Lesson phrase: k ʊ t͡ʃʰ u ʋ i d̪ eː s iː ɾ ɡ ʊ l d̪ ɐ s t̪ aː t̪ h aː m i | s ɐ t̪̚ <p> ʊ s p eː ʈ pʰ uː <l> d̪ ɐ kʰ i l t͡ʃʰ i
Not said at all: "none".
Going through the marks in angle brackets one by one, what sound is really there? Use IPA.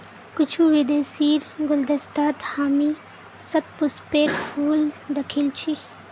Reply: p, l

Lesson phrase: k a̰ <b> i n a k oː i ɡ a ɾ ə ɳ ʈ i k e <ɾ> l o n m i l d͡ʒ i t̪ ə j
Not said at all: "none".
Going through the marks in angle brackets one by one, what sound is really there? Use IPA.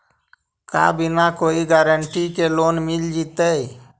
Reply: b, none

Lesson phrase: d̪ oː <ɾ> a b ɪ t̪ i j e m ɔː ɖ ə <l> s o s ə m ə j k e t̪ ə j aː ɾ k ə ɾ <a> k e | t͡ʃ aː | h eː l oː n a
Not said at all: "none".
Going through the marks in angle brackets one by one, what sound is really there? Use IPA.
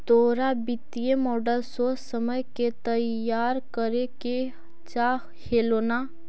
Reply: ɾ, l, e

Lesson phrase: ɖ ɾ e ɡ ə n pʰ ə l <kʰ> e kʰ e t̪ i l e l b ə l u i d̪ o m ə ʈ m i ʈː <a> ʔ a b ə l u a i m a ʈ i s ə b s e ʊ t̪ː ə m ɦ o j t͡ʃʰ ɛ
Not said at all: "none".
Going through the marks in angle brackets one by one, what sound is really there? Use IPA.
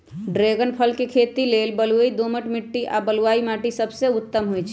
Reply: k, i

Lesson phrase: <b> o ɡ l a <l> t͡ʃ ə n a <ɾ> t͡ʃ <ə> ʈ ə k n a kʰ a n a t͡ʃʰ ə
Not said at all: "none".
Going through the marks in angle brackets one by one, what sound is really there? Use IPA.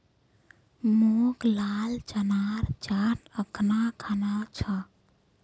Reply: m, l, ɾ, a

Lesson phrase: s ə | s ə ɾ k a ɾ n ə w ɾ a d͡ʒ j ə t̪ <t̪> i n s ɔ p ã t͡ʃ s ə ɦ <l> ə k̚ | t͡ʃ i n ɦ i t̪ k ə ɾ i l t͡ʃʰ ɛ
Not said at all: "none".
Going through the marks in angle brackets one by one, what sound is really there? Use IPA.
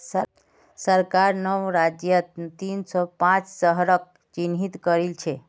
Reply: t̪, ɾ

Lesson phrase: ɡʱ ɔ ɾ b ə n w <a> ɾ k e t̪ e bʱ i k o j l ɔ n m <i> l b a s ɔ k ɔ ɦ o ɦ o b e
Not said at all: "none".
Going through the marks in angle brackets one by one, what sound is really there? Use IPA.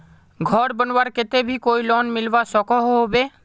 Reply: a, i

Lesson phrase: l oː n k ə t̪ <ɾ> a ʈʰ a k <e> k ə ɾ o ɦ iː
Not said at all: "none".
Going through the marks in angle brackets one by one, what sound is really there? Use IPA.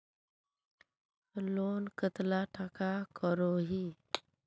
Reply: l, a

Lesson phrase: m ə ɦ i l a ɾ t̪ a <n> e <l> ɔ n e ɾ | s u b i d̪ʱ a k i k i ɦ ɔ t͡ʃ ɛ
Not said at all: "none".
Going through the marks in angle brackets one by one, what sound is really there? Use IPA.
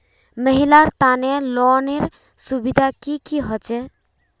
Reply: n, l

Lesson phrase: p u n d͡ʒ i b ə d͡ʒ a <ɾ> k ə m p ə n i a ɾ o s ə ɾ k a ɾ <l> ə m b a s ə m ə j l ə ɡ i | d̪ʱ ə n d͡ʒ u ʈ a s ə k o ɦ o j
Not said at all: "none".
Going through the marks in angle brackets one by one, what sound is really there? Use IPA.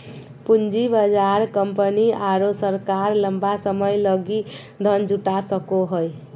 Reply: ɾ, l

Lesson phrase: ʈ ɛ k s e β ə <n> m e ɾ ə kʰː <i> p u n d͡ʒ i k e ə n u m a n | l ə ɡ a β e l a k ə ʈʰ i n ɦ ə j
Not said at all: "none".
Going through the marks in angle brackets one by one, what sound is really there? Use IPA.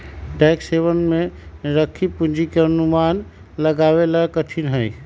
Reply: n, i

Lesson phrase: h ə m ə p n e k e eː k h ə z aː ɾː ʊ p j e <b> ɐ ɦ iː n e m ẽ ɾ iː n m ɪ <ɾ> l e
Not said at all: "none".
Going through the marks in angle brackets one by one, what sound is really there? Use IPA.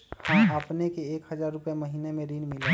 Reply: m, none

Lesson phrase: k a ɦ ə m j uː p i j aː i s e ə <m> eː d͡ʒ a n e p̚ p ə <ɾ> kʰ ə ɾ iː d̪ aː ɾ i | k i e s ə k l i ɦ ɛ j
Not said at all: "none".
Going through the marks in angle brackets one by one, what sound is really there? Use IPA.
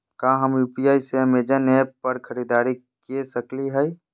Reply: m, ɾ

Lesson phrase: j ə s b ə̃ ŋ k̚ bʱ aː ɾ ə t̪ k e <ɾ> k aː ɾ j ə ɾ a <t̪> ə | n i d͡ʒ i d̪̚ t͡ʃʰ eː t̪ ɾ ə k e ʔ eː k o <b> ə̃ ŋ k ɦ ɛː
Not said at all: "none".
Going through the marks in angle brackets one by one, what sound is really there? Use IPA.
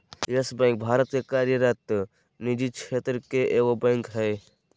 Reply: none, t̪, b

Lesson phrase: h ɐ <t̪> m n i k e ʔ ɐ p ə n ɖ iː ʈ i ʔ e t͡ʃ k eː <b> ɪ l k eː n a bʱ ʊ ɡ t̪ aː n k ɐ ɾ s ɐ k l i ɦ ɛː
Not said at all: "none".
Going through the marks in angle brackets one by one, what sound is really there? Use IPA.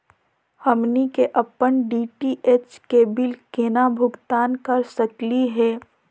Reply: none, b

